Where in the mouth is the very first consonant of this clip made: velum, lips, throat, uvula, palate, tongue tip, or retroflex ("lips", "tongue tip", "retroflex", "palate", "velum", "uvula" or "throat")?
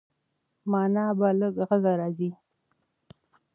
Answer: lips